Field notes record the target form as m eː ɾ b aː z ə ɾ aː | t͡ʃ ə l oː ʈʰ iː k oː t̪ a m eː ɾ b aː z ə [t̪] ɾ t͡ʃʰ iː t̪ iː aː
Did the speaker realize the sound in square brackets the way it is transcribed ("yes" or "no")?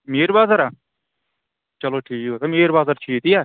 no